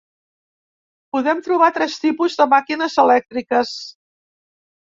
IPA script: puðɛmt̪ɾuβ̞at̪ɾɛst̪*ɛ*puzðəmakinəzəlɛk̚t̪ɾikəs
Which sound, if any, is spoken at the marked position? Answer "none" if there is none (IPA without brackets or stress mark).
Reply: i